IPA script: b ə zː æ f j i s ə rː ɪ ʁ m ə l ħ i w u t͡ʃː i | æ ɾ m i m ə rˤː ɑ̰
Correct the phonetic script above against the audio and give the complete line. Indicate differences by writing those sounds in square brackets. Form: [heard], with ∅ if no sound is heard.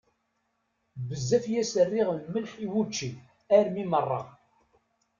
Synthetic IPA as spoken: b ə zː æ f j [æ] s ə rː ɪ ʁ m ə l ħ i w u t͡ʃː i | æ ɾ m i m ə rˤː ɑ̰